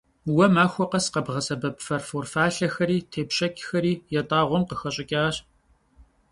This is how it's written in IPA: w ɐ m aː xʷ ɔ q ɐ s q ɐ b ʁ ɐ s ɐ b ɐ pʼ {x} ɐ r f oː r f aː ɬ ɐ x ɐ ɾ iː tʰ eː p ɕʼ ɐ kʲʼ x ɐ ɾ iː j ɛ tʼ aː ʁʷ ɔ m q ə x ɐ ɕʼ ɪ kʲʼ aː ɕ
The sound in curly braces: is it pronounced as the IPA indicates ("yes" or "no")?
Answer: no